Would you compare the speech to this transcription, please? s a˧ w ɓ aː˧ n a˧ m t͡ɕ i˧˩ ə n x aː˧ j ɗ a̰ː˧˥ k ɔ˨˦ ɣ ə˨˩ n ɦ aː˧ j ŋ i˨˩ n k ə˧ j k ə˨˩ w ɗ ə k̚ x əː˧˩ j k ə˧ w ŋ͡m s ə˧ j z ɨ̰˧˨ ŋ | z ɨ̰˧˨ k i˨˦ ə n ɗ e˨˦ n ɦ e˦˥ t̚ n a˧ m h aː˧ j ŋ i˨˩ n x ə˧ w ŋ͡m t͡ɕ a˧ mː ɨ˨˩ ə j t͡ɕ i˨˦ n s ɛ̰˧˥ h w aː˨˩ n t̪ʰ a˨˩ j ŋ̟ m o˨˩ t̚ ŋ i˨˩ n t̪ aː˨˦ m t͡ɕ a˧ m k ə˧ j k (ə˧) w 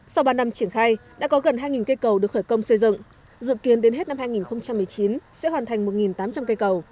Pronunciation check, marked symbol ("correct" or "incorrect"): incorrect